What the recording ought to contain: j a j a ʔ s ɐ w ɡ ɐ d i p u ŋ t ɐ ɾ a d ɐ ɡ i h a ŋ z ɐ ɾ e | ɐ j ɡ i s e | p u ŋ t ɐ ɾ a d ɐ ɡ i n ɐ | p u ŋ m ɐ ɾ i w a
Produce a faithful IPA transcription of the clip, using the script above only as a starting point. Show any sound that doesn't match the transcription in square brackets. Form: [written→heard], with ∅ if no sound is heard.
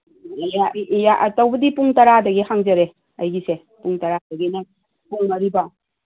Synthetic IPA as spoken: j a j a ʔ [s→t] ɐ w [ɡ→b] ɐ d i p u ŋ t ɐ ɾ a d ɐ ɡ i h a ŋ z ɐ ɾ e | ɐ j ɡ i s e | p u ŋ t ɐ ɾ a d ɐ ɡ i n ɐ | p u ŋ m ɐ ɾ i [w→b] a